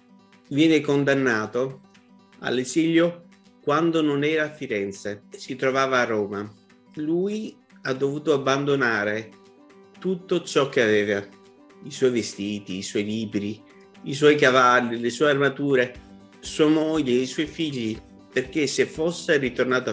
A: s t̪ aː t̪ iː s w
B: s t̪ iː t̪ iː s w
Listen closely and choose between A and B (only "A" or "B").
B